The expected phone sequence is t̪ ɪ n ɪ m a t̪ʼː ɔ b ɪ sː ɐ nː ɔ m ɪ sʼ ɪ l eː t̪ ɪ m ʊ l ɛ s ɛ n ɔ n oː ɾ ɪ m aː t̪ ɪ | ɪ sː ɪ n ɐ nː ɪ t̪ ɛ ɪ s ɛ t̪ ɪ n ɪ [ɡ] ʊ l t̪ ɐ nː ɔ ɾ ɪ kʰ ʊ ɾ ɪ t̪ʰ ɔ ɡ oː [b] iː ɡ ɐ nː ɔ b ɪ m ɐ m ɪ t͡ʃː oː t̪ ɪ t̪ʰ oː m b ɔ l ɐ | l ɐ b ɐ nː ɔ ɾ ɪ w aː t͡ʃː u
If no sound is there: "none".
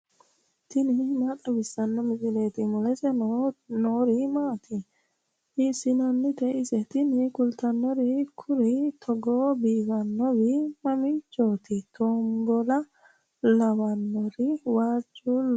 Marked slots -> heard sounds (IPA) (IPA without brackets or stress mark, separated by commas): k, b